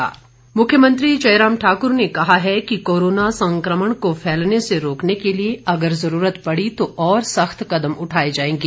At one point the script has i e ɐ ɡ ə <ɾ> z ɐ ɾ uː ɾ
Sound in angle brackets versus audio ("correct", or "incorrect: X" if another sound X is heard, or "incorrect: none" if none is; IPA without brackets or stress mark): correct